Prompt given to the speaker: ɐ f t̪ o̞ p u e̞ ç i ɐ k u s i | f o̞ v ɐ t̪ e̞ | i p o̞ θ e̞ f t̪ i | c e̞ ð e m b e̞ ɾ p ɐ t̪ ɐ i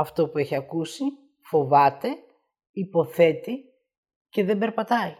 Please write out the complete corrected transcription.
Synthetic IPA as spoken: ɐ f t̪ o̞ p u e̞ ç i ɐ k u s i | f o̞ v ɐ t̪ e̞ | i p o̞ θ e̞ t̪ i | c e̞ ð e m b e̞ ɾ p ɐ t̪ ɐ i